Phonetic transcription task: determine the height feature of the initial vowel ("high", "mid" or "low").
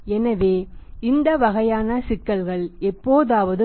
mid